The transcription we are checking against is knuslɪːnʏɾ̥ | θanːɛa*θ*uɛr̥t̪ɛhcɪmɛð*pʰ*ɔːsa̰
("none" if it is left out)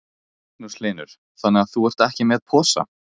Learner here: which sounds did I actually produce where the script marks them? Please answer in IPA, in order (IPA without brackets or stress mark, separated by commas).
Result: θ, pʰ